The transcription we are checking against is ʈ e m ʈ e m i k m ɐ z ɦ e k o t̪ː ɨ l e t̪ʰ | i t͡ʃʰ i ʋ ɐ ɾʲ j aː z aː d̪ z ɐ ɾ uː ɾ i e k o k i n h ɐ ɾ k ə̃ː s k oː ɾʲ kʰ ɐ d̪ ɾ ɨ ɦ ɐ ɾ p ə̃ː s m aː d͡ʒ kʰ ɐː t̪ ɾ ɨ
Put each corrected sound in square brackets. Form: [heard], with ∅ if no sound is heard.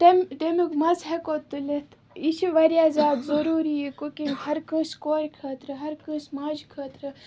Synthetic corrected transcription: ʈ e m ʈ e m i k m ɐ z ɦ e k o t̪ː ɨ l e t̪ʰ | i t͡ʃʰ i ʋ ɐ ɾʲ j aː z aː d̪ z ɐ ɾ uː ɾ i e k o k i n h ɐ ɾ k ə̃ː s k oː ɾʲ kʰ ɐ [t̪] ɾ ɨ ɦ ɐ ɾ [k] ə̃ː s m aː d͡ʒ kʰ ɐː t̪ ɾ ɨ